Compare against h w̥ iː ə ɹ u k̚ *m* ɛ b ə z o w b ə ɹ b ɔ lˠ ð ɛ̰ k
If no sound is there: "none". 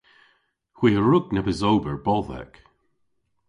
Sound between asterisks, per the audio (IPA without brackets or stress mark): n